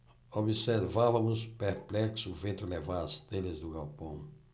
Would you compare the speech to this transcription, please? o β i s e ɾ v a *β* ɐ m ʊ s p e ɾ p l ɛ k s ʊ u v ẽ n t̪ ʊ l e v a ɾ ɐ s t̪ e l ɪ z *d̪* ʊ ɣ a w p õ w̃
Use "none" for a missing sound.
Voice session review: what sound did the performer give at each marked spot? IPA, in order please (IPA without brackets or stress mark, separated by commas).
v, d̪